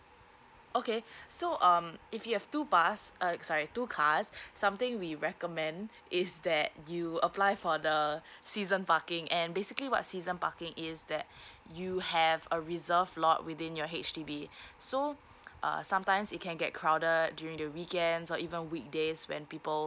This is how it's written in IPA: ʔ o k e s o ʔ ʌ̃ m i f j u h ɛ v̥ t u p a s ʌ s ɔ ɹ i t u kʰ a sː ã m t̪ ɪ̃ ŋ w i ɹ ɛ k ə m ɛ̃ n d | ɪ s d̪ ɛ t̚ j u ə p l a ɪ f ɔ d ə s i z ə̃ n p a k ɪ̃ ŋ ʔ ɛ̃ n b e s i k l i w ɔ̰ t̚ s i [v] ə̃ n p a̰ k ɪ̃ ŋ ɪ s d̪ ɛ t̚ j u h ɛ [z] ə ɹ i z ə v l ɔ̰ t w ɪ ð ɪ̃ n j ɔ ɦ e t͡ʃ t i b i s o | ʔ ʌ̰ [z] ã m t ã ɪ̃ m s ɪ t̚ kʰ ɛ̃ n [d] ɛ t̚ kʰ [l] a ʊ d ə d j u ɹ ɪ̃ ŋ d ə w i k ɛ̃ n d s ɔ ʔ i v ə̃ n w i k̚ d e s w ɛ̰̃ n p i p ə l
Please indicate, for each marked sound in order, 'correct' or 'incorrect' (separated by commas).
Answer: incorrect, incorrect, incorrect, incorrect, incorrect